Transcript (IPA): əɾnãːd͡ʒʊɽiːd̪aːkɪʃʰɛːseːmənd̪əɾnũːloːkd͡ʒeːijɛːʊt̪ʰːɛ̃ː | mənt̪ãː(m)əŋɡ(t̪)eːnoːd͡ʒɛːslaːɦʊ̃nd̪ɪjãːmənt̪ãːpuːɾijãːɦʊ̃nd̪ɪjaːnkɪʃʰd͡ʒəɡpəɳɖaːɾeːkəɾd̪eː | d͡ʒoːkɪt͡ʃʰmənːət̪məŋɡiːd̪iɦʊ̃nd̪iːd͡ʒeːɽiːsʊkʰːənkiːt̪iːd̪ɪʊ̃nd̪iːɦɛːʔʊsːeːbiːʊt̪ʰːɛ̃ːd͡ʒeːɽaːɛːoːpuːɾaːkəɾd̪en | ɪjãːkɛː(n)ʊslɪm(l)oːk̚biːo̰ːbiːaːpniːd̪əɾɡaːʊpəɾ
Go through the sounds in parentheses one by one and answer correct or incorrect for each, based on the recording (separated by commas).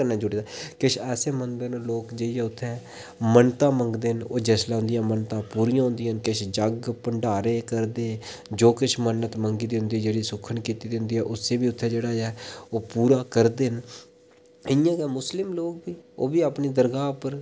correct, incorrect, incorrect, correct